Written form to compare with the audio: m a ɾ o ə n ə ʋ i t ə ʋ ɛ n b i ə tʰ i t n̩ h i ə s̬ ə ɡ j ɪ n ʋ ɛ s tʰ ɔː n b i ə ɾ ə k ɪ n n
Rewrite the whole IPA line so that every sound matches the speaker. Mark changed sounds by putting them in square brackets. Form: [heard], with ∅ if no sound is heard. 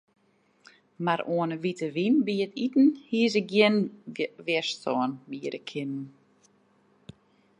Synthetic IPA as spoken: m a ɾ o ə n ə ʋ i t ə ʋ [i] n b i ə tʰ i t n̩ h i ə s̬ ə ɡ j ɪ n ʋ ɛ s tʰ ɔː n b i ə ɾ ə [kʰ] ɪ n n